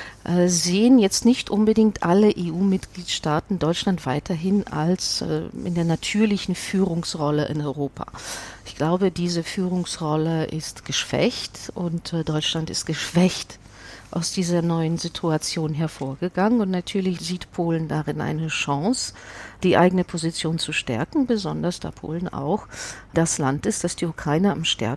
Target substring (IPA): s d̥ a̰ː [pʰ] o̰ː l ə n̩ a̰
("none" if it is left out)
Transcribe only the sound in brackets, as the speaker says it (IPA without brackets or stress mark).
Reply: pʰ